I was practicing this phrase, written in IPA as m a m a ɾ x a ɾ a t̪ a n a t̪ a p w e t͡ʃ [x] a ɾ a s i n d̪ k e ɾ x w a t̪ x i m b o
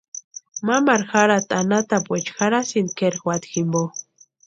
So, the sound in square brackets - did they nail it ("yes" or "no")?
yes